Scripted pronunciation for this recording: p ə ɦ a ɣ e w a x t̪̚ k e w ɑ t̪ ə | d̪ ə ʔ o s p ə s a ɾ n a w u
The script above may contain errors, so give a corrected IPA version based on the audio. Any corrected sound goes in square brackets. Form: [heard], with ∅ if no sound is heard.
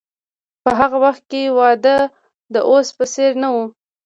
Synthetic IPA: p ə ɦ a ɣ [a] w a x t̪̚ k e w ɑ [d̪] ə | d̪ ə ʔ o s p ə s [e] ɾ n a w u